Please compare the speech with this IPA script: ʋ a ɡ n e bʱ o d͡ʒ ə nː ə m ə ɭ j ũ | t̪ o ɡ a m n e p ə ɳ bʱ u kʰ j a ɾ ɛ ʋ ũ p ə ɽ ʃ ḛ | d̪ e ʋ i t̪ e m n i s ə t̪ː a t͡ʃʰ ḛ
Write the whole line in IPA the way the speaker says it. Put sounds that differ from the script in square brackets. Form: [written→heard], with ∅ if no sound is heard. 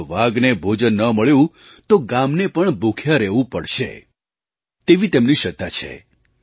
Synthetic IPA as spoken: ʋ a ɡ n e bʱ o d͡ʒ ə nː ə m ə ɭ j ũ | t̪ o ɡ a m n e p ə ɳ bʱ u kʰ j a ɾ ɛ ʋ ũ p ə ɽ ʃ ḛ | [d̪→t̪] e ʋ i t̪ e m n i [s→ʃ] ə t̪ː a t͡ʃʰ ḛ